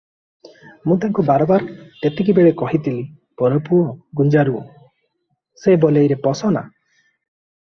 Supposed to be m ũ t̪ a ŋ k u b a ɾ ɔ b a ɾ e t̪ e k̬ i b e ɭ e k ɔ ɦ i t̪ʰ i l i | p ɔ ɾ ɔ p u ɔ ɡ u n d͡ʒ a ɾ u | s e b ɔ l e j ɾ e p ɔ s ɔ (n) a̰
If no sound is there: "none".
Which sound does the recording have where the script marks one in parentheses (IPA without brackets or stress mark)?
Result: n